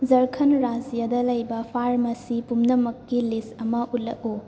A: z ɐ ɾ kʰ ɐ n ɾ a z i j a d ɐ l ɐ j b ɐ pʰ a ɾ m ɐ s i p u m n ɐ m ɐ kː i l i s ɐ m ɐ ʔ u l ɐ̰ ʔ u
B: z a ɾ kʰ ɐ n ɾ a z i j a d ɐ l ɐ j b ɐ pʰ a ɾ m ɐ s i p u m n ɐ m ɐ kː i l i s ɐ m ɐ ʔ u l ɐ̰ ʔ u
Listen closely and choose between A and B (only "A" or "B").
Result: A